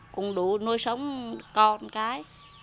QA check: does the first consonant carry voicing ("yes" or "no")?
no